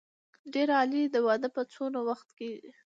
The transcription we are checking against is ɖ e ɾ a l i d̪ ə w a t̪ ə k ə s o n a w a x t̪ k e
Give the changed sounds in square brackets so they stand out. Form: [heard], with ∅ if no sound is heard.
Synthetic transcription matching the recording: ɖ e ɾ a l i d̪ ə w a [d̪] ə [p] ə [t͡s] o n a w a x t̪ k e